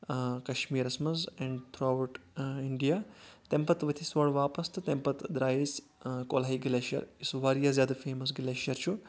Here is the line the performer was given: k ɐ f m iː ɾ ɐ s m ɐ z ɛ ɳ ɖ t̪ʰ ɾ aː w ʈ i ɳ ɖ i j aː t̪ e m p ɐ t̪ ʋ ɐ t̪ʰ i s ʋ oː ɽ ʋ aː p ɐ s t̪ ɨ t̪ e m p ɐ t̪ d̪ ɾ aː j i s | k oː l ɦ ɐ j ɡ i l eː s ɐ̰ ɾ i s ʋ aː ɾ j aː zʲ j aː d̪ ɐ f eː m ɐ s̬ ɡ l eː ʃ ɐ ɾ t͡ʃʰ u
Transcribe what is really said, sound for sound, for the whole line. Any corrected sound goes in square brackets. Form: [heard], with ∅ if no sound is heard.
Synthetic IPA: k ɐ [ʃ] m iː ɾ ɐ s m ɐ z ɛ ɳ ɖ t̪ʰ ɾ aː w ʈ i ɳ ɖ i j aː t̪ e m p ɐ t̪ ʋ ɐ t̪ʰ i s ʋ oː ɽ ʋ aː p ɐ s t̪ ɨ t̪ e m p ɐ t̪ d̪ ɾ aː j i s | k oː l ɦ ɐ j ɡ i l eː [ʃ] ɐ̰ ɾ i s ʋ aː ɾ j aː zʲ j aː d̪ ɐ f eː m ɐ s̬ ɡ l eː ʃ ɐ ɾ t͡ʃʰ u

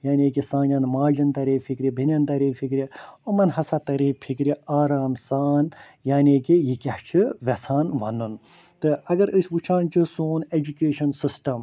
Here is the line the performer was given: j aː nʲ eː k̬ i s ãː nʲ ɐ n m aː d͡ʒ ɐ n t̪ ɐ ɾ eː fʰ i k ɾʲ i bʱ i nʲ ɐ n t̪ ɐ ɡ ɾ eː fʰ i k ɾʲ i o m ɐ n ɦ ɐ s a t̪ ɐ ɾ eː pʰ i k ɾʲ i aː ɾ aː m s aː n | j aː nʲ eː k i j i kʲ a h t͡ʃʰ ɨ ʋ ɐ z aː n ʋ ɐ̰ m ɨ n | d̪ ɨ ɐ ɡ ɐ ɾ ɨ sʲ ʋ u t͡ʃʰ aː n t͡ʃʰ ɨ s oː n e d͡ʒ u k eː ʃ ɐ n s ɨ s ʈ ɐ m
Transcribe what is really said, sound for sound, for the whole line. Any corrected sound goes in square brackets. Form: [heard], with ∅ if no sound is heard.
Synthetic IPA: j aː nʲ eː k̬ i s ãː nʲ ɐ n m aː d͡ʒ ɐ n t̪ ɐ ɾ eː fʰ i k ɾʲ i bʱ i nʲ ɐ n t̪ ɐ [∅] ɾ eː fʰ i k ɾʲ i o m ɐ n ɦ ɐ s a t̪ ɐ ɾ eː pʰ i k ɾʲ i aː ɾ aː m s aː n | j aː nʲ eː k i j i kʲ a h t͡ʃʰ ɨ ʋ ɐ [s] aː n ʋ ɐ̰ [n] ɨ n | [t̪] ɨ ɐ ɡ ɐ ɾ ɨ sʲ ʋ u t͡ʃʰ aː n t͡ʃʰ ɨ s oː n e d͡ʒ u k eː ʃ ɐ n s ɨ s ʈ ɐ m

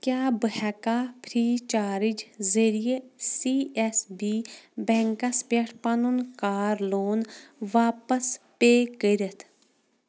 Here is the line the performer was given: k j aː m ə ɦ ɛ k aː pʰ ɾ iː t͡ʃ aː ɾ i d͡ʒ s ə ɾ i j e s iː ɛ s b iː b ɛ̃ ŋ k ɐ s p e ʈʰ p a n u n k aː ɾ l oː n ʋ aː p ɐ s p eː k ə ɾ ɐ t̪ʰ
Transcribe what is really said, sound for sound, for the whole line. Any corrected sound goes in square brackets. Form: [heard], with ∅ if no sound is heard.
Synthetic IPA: k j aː [b] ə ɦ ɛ k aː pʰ ɾ iː t͡ʃ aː ɾ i d͡ʒ [z] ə ɾ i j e s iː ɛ s b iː b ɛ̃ ŋ k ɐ s p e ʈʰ p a n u n k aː ɾ l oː n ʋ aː p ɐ s p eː k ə ɾ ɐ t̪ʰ

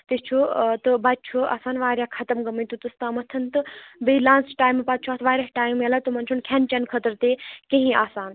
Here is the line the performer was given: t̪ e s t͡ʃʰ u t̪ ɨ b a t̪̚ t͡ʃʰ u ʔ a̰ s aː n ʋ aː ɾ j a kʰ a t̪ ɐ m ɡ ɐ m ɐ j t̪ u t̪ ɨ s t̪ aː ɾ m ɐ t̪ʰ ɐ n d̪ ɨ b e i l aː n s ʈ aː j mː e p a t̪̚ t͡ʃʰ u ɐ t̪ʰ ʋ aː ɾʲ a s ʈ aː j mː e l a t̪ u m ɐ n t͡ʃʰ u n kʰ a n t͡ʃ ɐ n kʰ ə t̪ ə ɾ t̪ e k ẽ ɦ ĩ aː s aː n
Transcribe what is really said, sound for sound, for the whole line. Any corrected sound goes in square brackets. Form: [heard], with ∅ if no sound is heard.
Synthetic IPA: t̪ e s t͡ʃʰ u t̪ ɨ b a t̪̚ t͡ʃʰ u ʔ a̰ s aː n ʋ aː ɾ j a kʰ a t̪ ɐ m ɡ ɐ m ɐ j t̪ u t̪ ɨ s t̪ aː [∅] m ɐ t̪ʰ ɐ n [t̪] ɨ b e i l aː n s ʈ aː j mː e p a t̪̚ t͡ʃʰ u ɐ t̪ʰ ʋ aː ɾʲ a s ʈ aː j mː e l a t̪ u m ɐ n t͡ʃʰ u n kʰ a n t͡ʃ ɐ n kʰ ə t̪ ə ɾ t̪ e k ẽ ɦ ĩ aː s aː n

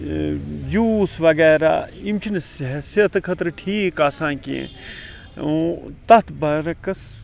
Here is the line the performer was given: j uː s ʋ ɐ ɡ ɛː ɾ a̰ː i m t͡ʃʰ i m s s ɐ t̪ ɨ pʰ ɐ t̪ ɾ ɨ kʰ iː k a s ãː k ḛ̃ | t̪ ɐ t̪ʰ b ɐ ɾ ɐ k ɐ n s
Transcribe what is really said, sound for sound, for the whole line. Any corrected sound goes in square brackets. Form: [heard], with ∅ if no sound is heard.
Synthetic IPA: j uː s ʋ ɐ ɡ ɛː ɾ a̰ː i m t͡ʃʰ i [n] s s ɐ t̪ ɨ [kʰ] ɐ t̪ ɾ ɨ [ʈʰ] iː k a s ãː k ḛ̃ | t̪ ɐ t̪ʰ b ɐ ɾ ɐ k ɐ [∅] s

